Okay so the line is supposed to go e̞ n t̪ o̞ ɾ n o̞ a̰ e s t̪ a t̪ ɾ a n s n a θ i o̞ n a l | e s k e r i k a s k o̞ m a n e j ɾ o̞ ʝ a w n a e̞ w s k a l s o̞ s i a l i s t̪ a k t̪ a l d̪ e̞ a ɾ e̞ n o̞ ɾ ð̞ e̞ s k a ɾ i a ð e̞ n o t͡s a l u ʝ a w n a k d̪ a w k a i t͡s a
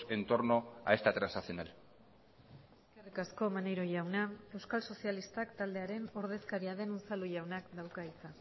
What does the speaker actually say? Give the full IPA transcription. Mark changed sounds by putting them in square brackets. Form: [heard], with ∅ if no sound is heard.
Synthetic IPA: e̞ n t̪ o̞ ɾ n o̞ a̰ e s t̪ a t̪ ɾ a n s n a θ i o̞ n a l | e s k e r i k a s k o̞ m a n e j ɾ o̞ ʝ a w n a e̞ w s k a l s o̞ s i a l i s t̪ a k t̪ a l d̪ e̞ a ɾ e̞ n o̞ ɾ ð̞ e̞ s k a ɾ i a ð e̞ n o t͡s a l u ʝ a w n a k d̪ a w k a i t͡s a